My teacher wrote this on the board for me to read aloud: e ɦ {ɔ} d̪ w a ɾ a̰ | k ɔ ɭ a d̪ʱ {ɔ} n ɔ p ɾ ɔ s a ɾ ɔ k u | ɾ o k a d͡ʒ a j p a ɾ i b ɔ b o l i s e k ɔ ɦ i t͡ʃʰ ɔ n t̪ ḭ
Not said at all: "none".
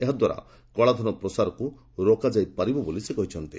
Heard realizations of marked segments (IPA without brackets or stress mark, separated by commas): ɔ, ɔ